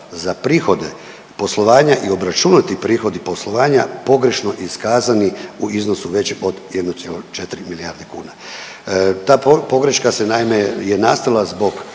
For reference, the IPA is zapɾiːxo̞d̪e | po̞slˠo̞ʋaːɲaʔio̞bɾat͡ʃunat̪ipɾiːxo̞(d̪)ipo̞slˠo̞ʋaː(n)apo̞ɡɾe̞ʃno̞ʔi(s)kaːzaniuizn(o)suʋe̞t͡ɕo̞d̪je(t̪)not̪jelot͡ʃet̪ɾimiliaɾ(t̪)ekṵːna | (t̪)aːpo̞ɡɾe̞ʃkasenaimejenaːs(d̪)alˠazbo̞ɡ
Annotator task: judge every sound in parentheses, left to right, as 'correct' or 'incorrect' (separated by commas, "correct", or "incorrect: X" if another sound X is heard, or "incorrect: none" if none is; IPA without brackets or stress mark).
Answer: correct, incorrect: ɲ, correct, correct, incorrect: d̪, incorrect: d̪, correct, incorrect: t̪